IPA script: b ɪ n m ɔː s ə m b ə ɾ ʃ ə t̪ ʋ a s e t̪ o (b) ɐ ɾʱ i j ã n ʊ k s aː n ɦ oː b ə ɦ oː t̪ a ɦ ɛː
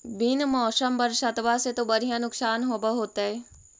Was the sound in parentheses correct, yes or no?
yes